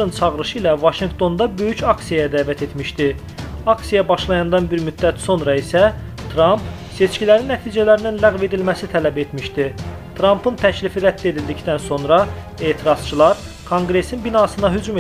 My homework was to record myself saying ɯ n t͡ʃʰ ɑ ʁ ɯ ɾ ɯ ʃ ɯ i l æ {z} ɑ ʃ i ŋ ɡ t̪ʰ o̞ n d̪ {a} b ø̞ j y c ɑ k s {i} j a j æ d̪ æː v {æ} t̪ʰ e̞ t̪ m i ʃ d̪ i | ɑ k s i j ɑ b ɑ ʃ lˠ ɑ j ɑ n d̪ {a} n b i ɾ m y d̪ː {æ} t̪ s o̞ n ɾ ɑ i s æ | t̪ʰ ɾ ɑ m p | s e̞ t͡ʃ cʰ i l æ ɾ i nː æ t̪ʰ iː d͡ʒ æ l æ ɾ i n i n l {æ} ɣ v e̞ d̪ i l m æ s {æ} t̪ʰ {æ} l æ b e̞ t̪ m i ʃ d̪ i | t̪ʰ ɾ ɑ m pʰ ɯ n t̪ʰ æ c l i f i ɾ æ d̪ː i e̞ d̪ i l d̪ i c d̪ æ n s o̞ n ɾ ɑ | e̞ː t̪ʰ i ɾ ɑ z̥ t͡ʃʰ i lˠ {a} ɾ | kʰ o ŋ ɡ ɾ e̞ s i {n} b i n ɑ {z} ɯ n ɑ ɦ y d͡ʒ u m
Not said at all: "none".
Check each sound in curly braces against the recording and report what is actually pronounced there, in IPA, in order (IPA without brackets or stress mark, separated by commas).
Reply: v, ɑ, i, æ, ɑ, æ, æ, i, æ, ɑ, n, s